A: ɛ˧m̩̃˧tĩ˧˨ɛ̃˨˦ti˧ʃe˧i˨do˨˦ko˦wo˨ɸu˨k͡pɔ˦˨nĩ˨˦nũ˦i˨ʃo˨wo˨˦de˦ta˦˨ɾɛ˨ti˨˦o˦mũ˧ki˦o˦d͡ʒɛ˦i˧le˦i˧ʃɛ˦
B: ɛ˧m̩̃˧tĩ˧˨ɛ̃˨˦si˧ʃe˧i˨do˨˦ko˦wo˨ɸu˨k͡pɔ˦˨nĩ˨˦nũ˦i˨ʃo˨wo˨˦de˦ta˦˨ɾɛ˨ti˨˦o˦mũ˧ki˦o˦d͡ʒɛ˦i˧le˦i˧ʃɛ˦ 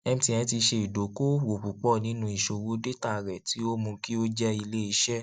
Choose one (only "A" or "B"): A